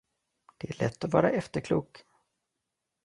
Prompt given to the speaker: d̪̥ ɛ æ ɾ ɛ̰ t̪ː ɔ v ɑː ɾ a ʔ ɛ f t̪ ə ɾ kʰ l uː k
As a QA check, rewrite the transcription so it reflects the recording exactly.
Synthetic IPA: d̪̥ ɛ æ ɭ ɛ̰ t̪ː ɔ v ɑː ɾ a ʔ ɛ f t̪ ə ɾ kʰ l uː k